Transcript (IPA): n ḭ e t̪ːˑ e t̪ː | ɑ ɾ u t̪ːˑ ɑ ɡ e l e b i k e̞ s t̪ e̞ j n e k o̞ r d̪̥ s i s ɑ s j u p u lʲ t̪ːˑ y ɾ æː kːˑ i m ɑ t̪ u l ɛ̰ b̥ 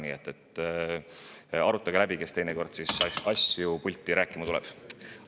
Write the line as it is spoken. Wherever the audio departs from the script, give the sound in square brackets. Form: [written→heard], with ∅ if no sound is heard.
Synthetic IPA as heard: n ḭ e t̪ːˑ e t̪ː | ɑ ɾ u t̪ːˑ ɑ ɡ e l [e→æ] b i k e̞ s t̪ e̞ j n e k o̞ r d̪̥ s i s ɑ s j u p u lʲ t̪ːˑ [y→i] ɾ æː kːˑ i m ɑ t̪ u l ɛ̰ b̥